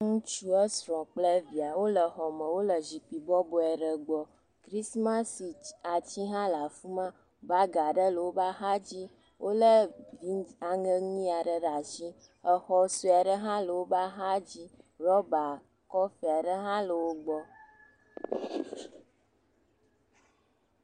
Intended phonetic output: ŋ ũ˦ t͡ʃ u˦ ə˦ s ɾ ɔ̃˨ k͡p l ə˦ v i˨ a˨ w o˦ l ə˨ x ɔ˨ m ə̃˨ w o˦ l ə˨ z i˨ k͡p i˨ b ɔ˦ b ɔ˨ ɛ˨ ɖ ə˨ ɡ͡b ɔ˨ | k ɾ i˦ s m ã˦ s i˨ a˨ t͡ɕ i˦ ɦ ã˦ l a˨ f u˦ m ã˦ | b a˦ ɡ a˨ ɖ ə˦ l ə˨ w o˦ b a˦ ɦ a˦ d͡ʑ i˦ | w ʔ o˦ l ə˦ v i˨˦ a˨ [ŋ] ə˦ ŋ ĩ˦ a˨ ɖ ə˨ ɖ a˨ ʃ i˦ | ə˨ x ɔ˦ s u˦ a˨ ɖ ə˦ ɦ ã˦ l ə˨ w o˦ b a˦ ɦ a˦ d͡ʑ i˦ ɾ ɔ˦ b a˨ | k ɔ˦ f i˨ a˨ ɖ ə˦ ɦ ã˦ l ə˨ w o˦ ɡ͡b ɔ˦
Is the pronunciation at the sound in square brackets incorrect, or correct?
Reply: correct